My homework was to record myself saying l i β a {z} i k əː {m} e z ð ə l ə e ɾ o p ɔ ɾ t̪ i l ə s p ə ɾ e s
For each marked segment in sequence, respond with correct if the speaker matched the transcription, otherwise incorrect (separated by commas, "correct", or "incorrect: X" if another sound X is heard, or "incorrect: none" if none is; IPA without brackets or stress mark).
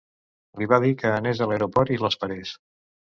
incorrect: ð, incorrect: n